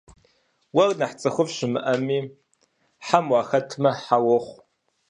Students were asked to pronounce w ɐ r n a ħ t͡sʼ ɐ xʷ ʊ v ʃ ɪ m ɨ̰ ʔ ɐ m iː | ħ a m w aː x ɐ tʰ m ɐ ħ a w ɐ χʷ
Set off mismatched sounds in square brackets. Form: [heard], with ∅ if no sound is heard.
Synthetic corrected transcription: w ɐ r n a ħ t͡sʼ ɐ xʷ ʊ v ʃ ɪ m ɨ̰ ʔ ɐ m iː | ħ a m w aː x ɐ tʰ m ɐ ħ a w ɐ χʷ